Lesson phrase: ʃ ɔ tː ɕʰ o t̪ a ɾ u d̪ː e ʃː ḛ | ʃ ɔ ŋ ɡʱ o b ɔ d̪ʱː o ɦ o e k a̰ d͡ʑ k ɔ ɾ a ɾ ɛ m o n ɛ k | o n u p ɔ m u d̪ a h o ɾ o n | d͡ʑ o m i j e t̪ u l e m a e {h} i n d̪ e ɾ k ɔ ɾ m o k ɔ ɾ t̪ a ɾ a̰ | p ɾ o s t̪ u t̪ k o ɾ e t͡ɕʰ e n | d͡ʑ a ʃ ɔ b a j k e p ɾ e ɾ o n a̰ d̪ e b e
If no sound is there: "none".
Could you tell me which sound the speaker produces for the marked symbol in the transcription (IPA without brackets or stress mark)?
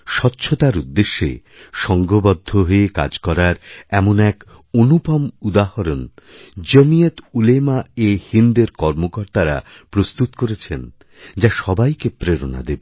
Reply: h